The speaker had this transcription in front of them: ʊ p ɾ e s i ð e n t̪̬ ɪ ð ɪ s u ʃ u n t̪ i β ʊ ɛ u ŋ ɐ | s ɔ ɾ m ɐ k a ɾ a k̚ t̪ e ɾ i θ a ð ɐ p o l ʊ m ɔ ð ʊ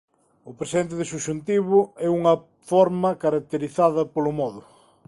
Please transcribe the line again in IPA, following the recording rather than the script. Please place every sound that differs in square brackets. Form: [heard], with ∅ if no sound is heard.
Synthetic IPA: ʊ p ɾ e s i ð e n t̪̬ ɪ ð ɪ s u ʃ u n t̪ i β ʊ ɛ u ŋ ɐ | [f] ɔ ɾ m ɐ k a ɾ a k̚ t̪ e ɾ i θ a ð ɐ p o l ʊ m ɔ ð ʊ